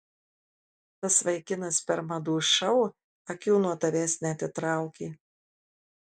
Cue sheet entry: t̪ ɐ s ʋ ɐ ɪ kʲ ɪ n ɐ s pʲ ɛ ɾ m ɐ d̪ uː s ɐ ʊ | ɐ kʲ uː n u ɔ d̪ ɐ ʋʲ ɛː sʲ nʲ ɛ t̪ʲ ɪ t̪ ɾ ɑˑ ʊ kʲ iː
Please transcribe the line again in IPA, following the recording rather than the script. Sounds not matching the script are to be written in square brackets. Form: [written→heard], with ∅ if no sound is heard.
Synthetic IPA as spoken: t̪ ɐ s ʋ ɐ ɪ kʲ ɪ n ɐ s pʲ ɛ ɾ m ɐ d̪ uː [s→ʃ] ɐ ʊ | ɐ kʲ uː n u ɔ [d̪→t̪] ɐ ʋʲ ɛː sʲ nʲ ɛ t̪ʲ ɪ t̪ ɾ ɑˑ ʊ kʲ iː